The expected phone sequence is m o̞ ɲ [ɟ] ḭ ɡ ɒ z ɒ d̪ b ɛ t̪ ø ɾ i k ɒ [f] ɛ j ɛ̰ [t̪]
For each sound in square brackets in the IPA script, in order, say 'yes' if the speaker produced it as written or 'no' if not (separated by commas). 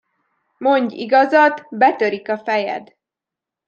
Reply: yes, yes, no